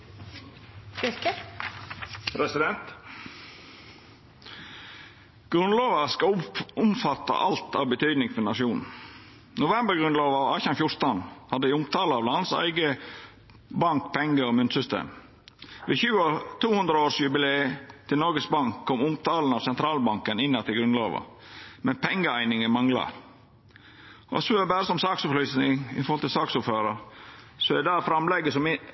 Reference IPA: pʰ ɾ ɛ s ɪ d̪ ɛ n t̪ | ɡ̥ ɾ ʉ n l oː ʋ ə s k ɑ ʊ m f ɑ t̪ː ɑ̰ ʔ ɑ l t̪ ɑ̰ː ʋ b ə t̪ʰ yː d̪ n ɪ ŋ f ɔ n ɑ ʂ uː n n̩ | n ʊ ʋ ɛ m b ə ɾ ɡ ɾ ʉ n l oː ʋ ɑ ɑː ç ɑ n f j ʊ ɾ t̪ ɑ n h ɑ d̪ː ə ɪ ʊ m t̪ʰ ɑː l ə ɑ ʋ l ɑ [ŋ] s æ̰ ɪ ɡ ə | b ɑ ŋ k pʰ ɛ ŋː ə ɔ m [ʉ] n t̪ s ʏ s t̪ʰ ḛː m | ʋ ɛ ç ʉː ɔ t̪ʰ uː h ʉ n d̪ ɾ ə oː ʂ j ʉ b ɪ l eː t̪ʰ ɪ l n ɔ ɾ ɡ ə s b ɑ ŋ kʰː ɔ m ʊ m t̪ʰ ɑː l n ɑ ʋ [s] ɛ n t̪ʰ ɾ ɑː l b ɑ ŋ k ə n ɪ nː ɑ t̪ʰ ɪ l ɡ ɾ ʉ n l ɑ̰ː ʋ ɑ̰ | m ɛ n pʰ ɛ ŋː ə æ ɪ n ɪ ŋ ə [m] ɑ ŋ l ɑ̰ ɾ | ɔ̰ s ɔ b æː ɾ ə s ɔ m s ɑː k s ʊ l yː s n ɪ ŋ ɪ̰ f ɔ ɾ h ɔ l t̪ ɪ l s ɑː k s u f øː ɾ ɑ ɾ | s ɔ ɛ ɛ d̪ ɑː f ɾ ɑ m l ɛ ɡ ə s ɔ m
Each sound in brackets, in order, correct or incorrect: incorrect: n, correct, correct, correct

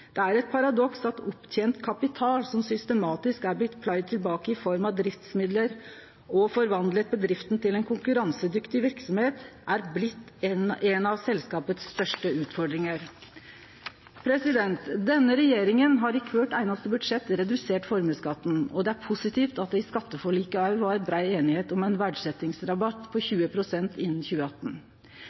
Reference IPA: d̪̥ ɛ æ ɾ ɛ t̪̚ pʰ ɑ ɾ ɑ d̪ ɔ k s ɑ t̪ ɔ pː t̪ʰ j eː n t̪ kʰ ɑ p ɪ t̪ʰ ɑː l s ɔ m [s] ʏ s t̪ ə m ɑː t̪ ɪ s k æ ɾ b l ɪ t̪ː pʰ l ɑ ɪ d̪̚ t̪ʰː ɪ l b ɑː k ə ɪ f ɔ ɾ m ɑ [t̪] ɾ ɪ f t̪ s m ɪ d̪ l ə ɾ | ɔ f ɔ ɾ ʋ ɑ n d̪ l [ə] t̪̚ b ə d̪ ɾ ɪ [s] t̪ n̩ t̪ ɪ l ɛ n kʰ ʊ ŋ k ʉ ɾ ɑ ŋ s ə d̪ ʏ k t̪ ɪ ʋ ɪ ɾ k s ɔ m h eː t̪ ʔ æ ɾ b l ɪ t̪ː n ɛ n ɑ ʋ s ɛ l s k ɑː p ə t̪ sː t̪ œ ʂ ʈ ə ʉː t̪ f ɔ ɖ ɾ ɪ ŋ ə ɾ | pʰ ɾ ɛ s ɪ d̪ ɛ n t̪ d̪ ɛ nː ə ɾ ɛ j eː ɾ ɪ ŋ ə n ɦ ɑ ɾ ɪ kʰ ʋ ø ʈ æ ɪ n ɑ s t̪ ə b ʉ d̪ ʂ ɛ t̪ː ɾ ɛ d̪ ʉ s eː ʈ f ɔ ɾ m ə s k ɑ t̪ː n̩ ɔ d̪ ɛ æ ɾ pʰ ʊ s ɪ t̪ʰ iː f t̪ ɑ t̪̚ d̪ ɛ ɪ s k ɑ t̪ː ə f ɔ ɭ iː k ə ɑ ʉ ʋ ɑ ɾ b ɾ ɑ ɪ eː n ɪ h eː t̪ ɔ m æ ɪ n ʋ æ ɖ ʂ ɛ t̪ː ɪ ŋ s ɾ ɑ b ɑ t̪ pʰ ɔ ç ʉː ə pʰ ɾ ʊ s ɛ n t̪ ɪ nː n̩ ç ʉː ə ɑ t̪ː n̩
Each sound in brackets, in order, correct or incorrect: correct, incorrect: d̪, correct, incorrect: f

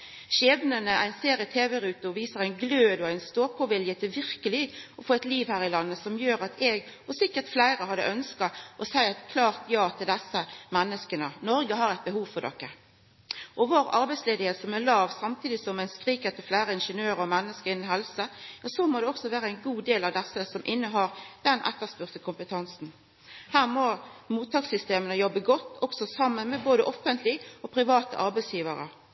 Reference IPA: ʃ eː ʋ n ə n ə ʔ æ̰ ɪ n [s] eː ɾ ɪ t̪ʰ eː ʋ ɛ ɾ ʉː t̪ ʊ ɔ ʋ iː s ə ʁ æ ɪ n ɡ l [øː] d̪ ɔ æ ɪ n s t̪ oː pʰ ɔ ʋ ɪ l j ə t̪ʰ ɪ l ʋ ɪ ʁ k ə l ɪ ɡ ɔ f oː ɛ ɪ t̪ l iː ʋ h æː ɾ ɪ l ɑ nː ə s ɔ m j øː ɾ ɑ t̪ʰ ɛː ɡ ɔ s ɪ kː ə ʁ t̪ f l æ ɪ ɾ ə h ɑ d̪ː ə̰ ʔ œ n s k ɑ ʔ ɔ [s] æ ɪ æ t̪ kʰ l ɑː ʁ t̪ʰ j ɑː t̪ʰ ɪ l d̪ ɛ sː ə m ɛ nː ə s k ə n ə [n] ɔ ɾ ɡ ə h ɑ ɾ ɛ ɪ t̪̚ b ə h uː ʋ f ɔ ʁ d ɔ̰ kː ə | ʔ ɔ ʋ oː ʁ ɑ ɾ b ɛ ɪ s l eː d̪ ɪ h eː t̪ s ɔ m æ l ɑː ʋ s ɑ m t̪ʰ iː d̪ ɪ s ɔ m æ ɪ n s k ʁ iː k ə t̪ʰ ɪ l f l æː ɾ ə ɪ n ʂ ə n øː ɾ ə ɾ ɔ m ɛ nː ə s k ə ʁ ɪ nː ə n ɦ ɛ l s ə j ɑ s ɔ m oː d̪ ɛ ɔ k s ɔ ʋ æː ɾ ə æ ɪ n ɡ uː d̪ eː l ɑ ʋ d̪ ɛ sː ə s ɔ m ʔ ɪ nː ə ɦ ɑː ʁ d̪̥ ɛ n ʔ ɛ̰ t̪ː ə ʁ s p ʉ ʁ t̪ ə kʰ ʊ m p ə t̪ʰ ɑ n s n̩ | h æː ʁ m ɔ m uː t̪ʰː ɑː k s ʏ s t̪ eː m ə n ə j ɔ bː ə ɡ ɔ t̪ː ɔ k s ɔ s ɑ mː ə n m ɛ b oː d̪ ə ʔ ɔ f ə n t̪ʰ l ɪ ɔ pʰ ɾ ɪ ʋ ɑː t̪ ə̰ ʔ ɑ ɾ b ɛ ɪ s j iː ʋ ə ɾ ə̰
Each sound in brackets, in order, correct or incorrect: correct, correct, correct, correct

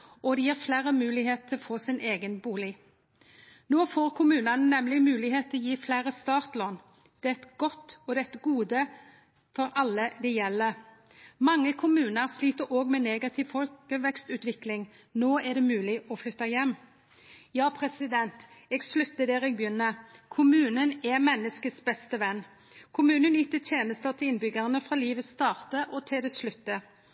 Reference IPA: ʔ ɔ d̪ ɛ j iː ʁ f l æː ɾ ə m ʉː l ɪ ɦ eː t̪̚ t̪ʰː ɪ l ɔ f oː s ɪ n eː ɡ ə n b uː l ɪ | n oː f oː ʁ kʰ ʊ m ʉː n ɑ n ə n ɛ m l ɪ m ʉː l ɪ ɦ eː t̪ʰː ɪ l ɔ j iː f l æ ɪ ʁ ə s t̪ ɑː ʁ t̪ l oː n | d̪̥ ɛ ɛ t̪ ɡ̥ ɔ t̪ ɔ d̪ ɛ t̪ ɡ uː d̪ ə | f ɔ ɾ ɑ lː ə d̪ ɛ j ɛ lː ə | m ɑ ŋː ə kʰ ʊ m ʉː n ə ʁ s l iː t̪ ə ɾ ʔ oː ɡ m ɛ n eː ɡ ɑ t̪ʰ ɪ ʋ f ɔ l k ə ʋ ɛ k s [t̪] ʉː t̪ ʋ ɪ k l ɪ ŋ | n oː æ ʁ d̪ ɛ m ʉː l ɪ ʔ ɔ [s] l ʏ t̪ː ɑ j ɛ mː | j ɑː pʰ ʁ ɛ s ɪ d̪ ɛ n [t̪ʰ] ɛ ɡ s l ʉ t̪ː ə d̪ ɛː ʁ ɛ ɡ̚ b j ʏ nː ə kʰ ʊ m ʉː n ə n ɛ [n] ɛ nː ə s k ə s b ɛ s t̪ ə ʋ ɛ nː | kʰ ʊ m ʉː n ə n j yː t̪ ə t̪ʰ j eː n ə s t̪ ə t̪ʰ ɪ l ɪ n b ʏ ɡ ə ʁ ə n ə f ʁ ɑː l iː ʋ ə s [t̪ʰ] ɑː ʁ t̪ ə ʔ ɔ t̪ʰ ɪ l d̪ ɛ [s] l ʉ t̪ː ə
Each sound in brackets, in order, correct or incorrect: correct, incorrect: f, incorrect: t̪, incorrect: m, incorrect: t̪, correct

